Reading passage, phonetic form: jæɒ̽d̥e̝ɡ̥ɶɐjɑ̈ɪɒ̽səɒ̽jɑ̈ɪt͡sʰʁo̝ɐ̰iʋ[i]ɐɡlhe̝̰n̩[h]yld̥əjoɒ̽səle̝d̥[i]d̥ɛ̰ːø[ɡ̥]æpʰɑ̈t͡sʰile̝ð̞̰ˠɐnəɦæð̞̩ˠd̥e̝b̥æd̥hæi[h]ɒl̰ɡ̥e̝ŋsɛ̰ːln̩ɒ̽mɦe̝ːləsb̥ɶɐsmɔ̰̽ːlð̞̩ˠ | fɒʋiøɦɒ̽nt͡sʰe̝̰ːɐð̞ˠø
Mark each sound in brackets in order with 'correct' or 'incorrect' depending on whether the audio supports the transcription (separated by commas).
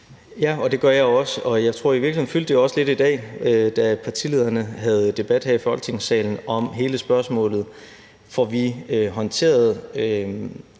correct, incorrect, correct, incorrect, incorrect